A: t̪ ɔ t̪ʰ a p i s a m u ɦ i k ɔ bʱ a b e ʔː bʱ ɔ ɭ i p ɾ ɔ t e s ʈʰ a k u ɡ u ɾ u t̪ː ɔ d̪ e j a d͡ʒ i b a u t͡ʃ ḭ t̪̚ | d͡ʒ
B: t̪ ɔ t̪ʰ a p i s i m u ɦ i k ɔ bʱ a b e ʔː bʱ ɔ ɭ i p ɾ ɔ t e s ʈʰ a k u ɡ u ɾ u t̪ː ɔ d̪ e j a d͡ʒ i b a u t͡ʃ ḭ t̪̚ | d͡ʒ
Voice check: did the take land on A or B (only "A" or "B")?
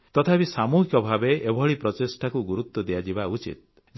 A